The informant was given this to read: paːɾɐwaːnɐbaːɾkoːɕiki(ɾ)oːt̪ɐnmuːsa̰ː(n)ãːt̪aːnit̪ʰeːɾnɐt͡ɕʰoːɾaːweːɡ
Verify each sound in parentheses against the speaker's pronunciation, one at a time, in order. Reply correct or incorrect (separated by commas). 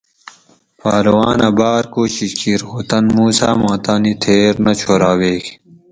correct, incorrect